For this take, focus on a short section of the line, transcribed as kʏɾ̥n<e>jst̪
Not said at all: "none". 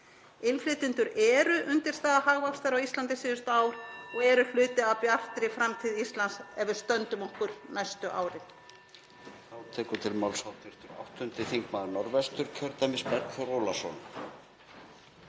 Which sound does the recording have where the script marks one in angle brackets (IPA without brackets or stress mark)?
a